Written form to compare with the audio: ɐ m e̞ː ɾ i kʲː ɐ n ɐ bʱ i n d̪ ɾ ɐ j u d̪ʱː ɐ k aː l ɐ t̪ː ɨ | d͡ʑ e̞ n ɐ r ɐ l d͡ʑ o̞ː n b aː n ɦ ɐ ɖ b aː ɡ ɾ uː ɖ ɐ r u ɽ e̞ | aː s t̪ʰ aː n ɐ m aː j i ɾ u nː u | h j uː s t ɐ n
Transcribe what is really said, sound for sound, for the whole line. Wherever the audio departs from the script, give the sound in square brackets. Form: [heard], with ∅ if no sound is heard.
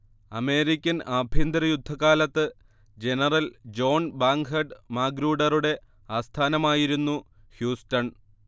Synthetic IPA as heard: ɐ m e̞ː ɾ i kʲː ɐ n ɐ bʱ i n d̪ ɾ ɐ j u d̪ʱː ɐ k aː l ɐ t̪ː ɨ | d͡ʑ e̞ n ɐ r ɐ l d͡ʑ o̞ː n b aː [ŋ] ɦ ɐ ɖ [m] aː ɡ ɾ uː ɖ ɐ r u ɽ e̞ | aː s t̪ʰ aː n ɐ m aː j i ɾ u nː u | h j uː s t ɐ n